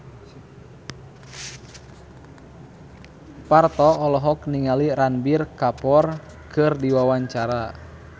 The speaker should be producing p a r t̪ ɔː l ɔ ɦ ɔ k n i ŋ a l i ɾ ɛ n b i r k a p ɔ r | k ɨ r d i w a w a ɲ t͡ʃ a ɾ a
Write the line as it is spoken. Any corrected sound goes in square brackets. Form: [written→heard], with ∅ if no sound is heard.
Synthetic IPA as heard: p a r t̪ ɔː l ɔ ɦ ɔ k n i ŋ a l i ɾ [ɛ→a] n b i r k a p ɔ r | k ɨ r d i w a w a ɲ t͡ʃ a ɾ a

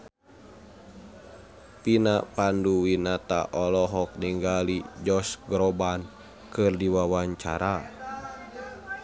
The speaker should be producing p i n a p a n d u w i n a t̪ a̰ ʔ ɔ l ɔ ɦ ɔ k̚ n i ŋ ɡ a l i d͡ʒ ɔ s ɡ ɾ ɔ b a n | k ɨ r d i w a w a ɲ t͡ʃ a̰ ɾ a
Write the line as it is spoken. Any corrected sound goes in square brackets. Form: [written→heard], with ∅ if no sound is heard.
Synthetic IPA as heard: p i n a p a n d u w i n a t̪ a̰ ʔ ɔ l ɔ ɦ ɔ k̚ n i ŋ ɡ a l i d͡ʒ ɔ s ɡ ɾ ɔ b a n | k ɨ r d i w a w a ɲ t͡ʃ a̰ ɾ a

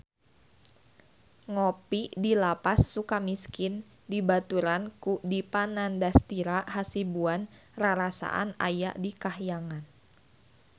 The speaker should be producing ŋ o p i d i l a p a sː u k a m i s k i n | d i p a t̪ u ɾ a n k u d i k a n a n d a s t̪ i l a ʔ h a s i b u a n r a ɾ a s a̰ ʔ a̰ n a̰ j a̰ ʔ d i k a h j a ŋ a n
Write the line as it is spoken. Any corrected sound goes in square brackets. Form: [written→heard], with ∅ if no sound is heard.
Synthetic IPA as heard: ŋ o p i d i l a p a sː u k a m i s k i n | d i [p→b] a t̪ u ɾ a n k u d i [k→p] a n a n d a s t̪ i [l→ɾ] a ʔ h a s i b u a n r a ɾ a s a̰ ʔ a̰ n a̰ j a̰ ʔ d i k a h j a ŋ a n

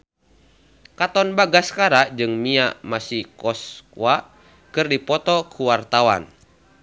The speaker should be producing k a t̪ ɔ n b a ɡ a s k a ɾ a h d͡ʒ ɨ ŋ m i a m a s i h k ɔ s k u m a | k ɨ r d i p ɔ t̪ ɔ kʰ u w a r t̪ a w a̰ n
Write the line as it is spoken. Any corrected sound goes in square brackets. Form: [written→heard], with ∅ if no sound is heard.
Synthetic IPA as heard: k a t̪ ɔ n b a ɡ a s k a ɾ a [h→∅] d͡ʒ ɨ ŋ m i a m a s i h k ɔ s k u [m→∅] a | k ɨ r d i p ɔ t̪ ɔ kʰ u w a r t̪ a w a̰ n

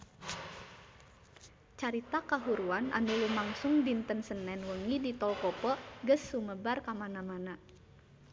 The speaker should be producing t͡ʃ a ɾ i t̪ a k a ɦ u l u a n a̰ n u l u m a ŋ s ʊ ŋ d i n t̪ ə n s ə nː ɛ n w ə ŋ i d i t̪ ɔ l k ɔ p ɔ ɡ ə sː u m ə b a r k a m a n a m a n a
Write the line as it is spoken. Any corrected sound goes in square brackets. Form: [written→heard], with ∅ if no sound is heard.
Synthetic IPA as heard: t͡ʃ a ɾ i t̪ a k a ɦ u [l→ɾ] u a n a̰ n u l u m a ŋ s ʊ ŋ d i n t̪ ə n s ə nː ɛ n w ə ŋ i d i t̪ ɔ l k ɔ p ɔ ɡ ə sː u m ə b a r k a m a n a m a n a

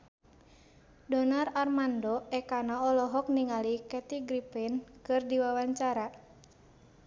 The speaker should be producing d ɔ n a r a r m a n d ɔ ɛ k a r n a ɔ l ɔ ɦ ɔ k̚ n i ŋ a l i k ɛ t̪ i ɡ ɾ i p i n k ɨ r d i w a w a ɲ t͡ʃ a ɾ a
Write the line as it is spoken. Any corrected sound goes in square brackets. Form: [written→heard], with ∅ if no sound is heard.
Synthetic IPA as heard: d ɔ n a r a r m a n d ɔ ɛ k a [r→∅] n a ɔ l ɔ ɦ ɔ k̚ n i ŋ a l i k ɛ t̪ i ɡ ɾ i p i n k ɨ r d i w a w a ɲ t͡ʃ a ɾ a

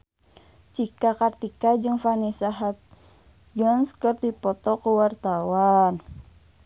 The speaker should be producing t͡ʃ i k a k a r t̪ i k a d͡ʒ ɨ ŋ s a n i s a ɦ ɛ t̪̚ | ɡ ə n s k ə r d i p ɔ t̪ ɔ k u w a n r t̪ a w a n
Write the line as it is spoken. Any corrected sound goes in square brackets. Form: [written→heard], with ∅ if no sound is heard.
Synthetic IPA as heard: t͡ʃ i k a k a r t̪ i k a d͡ʒ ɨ ŋ [s→f] a n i s a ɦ [ɛ→a] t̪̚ | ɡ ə n s k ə r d i p ɔ t̪ ɔ k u w a [n→∅] r t̪ a w a n

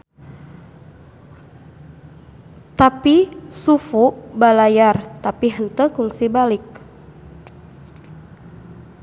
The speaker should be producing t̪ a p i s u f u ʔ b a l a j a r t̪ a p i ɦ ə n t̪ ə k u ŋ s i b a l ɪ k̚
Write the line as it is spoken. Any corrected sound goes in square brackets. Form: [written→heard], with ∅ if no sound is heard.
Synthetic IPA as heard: t̪ a p i s u f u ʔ b a l a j a r t̪ a p i ɦ ə n t̪ ə k u ŋ s i b a l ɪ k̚

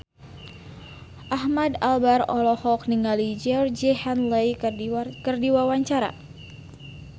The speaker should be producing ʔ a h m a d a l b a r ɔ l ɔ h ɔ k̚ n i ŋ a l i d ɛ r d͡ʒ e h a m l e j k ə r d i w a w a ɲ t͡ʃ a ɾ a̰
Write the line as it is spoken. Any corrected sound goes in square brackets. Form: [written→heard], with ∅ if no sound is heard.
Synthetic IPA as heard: ʔ a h m a d a l b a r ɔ l ɔ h ɔ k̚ n i ŋ a l i [d→d͡ʒ] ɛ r d͡ʒ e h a [m→n] l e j k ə r d i w a w a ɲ t͡ʃ a ɾ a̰

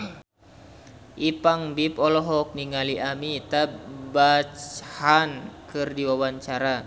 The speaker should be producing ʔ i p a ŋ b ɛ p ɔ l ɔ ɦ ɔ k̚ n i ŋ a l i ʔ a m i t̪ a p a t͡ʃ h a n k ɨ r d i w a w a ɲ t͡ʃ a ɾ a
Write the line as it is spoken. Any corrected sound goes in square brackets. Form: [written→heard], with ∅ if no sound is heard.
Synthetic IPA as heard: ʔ i p a ŋ b [ɛ→i] p ɔ l ɔ ɦ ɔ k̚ n i ŋ a l i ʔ a m i t̪ a [p→b] a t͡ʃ h a n k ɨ r d i w a w a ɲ t͡ʃ a ɾ a

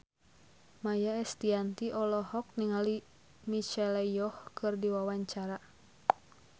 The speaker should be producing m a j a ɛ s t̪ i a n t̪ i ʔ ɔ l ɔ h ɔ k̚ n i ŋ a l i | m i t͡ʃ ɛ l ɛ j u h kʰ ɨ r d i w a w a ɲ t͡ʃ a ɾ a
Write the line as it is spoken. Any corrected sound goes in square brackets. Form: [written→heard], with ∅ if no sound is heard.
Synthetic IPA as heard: m a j a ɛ s t̪ i a n t̪ i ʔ ɔ l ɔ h ɔ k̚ n i ŋ a l i | m i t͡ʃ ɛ l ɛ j [u→ɔ] h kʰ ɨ r d i w a w a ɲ t͡ʃ a ɾ a

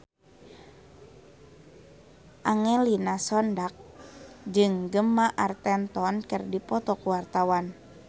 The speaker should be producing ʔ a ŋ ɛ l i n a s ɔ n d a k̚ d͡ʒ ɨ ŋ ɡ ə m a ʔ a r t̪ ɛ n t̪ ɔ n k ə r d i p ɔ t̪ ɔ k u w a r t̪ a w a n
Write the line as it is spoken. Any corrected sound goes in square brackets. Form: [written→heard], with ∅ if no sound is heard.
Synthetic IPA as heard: ʔ a ŋ ɛ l i n a s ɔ n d a k̚ d͡ʒ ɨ ŋ ɡ ə m a ʔ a r t̪ ɛ n t̪ ɔ n k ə r d i p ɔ t̪ ɔ k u w a r t̪ a w a n

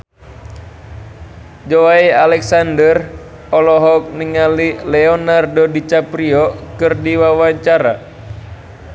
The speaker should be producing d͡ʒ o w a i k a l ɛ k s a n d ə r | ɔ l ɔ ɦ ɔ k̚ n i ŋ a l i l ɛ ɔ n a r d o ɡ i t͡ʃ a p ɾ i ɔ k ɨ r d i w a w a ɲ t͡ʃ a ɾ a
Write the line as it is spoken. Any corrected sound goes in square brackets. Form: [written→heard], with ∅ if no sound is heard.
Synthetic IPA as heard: d͡ʒ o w a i [k→∅] a l ɛ k s a n d ə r | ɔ l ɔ ɦ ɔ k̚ n i ŋ a l i l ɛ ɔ n a r d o [ɡ→d] i t͡ʃ a p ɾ i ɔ k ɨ r d i w a w a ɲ t͡ʃ a ɾ a

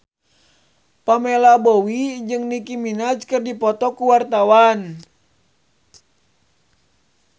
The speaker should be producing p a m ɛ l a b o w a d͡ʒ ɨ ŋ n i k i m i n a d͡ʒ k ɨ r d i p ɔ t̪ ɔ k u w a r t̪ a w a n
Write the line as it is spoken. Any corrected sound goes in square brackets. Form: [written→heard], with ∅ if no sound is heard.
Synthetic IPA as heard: p a m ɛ l a b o w [a→i] d͡ʒ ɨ ŋ n i k i m i n a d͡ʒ k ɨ r d i p ɔ t̪ ɔ k u w a r t̪ a w a n

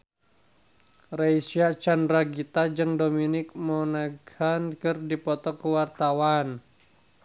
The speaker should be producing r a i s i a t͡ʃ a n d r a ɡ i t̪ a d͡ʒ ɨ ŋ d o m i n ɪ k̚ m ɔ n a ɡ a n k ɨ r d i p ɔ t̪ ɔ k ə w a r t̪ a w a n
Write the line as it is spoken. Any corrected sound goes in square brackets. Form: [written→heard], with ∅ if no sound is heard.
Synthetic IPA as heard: r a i s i a t͡ʃ a n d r a ɡ i t̪ a d͡ʒ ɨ ŋ d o m i n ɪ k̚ m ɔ n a ɡ a n k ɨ r d i p ɔ t̪ ɔ k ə w a r t̪ a w a n

